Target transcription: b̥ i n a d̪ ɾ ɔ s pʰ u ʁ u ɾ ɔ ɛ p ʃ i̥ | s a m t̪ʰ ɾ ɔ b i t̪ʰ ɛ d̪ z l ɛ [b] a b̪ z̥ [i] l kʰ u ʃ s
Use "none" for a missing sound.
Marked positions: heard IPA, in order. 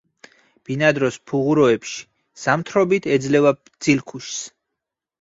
v, i

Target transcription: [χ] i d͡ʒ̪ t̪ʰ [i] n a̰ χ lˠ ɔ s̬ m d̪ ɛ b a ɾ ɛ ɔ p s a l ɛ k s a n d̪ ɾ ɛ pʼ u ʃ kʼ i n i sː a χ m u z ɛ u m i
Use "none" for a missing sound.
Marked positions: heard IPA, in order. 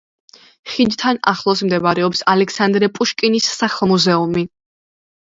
χ, a

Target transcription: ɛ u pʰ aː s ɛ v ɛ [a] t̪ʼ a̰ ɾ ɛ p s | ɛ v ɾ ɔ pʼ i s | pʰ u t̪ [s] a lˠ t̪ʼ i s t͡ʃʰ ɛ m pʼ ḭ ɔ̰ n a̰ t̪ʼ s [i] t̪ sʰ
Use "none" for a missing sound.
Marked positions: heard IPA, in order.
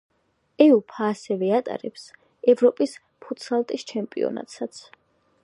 a, s, a

